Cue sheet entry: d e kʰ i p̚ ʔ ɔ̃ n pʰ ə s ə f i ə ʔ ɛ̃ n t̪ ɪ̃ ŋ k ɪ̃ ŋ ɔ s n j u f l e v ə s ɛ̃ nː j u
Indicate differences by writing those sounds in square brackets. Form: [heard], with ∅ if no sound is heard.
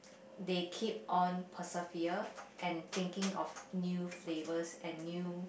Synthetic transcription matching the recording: d e kʰ i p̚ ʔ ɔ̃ n pʰ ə s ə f i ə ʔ ɛ̃ n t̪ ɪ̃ ŋ k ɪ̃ ŋ ɔ [f] n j u f l e v ə s ɛ̃ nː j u